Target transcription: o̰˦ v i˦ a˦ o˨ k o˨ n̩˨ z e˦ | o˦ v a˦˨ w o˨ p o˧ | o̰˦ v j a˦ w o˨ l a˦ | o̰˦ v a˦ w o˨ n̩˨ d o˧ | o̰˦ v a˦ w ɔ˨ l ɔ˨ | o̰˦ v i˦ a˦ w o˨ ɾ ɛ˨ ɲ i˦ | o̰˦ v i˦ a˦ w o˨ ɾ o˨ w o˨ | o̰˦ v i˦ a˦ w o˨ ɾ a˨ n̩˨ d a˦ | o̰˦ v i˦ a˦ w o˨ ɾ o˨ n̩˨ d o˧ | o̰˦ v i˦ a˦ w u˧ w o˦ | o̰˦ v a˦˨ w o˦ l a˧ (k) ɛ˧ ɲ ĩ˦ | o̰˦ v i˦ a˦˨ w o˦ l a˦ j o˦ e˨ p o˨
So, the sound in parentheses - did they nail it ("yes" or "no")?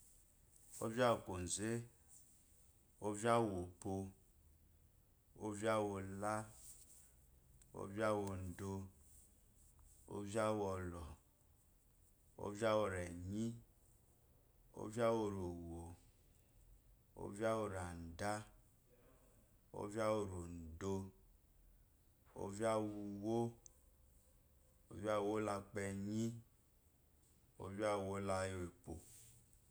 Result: no